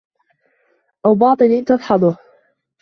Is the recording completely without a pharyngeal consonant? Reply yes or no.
no